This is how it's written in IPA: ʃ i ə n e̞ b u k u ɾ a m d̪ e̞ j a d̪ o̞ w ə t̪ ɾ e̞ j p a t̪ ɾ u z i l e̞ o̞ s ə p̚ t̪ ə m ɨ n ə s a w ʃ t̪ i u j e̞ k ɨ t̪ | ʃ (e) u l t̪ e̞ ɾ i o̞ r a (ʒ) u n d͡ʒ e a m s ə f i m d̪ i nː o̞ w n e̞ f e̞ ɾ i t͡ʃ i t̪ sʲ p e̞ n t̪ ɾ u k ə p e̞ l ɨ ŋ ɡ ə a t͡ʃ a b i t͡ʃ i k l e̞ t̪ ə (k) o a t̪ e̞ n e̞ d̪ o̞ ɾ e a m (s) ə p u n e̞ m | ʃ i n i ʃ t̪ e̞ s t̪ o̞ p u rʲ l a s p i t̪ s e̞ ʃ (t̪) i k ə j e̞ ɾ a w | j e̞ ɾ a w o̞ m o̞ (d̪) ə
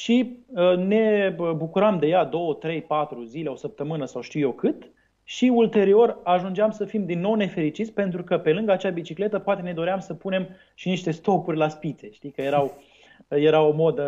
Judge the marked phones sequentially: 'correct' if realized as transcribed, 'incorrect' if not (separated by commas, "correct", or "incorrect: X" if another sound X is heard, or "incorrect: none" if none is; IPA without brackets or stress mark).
incorrect: i, correct, incorrect: p, correct, correct, correct